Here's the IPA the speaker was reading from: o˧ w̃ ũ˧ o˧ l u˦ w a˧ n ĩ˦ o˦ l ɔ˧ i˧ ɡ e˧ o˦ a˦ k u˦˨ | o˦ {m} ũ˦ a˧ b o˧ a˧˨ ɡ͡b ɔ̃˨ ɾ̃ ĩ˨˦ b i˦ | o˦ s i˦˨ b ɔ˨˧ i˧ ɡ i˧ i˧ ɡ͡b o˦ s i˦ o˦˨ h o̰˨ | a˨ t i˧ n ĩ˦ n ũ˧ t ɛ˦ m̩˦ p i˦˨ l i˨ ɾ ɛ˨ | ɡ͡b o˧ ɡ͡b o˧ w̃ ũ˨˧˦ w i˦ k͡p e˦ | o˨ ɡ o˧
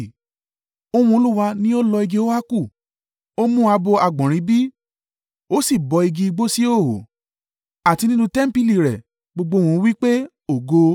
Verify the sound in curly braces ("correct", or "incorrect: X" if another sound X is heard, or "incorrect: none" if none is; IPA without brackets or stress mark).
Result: correct